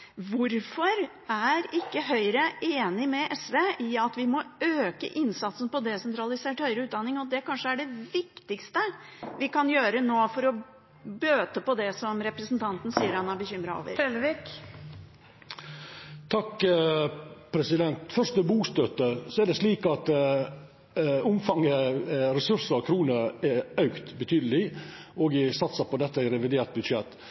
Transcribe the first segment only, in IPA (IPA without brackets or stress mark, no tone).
ʋ